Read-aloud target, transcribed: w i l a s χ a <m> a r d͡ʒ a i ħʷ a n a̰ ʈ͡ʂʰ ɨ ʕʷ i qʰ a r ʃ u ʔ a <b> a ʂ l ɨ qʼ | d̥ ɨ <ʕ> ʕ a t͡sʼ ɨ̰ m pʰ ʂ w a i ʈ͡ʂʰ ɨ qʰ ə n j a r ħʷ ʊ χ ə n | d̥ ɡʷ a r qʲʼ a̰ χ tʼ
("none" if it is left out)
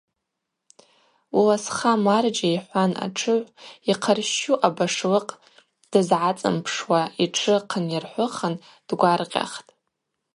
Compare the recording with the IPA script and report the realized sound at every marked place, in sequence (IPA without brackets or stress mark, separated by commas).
m, b, z